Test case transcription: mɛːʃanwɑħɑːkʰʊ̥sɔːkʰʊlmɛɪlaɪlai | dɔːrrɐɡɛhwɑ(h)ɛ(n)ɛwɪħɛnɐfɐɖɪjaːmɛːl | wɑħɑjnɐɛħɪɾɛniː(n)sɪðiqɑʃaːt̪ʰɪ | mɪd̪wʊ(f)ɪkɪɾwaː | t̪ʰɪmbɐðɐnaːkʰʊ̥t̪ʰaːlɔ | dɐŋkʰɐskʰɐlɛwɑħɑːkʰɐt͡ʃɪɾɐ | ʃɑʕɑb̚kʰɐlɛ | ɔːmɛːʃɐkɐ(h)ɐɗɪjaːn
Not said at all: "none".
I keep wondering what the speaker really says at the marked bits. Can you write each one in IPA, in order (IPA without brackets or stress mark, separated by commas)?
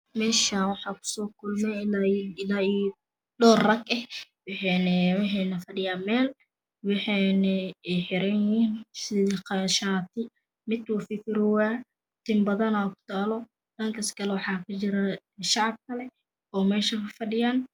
ħ, n, n, f, f